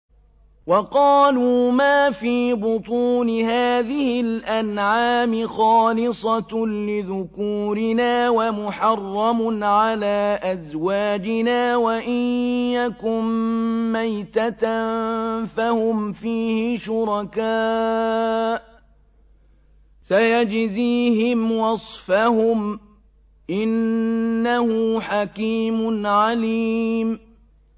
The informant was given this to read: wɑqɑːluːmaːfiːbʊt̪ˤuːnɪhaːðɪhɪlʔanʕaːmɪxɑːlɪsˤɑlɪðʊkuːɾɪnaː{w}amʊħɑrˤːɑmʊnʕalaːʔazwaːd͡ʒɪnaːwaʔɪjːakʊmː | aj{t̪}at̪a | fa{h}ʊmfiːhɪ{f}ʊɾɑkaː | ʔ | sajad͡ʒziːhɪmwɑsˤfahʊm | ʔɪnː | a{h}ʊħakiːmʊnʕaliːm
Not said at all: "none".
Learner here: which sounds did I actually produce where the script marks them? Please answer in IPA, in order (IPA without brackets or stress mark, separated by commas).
w, t̪, h, ʃ, h